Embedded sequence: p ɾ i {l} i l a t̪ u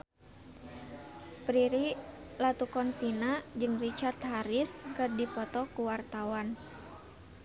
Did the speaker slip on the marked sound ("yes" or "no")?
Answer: yes